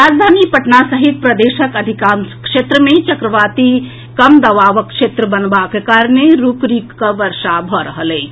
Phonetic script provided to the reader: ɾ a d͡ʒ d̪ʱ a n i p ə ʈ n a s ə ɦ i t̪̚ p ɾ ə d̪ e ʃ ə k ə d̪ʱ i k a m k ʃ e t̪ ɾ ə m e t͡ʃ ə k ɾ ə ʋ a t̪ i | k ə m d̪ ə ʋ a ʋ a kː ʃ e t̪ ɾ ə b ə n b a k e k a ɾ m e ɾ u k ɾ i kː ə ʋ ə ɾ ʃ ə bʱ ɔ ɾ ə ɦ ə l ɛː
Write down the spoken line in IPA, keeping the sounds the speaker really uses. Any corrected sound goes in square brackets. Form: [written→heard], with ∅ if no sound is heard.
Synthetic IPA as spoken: ɾ a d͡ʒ d̪ʱ a n i p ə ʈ n a s ə ɦ i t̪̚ p ɾ ə d̪ e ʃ ə k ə d̪ʱ i k a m k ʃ e t̪ ɾ ə m e t͡ʃ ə k ɾ ə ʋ a t̪ i | k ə m d̪ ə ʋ a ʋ [a→ə] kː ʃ e t̪ ɾ ə b ə n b a k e k a ɾ [m→n] e ɾ u k ɾ i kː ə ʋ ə ɾ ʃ [ə→a] bʱ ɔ ɾ ə ɦ ə l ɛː